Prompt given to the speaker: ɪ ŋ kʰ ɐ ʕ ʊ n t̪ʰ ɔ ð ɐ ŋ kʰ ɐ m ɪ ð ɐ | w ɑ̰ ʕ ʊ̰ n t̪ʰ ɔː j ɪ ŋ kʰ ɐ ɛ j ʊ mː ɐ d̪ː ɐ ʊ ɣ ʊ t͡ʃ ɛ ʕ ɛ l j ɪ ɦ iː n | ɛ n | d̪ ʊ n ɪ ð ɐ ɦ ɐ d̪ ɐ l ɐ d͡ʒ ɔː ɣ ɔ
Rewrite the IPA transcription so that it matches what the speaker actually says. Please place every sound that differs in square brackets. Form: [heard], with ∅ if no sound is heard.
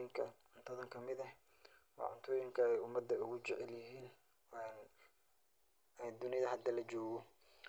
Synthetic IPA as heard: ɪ ŋ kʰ ɐ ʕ ʊ n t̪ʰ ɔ ð ɐ ŋ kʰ ɐ m ɪ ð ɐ | w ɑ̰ ʕ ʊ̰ n t̪ʰ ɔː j ɪ ŋ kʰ ɐ ɛ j ʊ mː ɐ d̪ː ɐ ʊ ɣ ʊ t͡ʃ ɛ ʕ ɛ l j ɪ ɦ iː n | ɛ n | d̪ ʊ n ɪ ð ɐ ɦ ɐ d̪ ɐ l ɐ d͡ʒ ɔː ɣ ɔ